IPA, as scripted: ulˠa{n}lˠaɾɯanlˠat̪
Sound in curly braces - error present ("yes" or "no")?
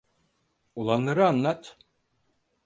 no